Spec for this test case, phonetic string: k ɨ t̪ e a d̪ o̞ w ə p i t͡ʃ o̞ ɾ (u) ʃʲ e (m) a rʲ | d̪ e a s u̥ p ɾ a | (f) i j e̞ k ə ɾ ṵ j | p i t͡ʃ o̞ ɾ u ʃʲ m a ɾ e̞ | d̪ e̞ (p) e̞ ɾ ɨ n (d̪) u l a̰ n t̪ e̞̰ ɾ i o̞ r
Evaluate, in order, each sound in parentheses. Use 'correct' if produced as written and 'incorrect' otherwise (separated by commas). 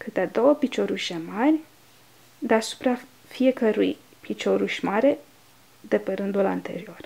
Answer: correct, correct, correct, correct, correct